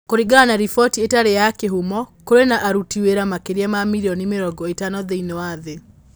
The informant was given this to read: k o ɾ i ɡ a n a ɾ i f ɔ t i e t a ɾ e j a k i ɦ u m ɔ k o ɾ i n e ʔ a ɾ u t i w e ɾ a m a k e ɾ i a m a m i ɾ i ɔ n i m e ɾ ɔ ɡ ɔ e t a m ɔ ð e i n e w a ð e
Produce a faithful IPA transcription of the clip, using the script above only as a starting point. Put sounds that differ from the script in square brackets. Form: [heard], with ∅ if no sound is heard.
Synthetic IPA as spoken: k o ɾ i ɡ a n a ɾ i f ɔ t i e t a ɾ e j a k [e] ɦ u m ɔ k o ɾ [e] n [a] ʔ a ɾ u t i w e ɾ a m a k e ɾ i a m a m i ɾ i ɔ n i m e ɾ ɔ ɡ ɔ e t a [n] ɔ ð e i n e w a ð e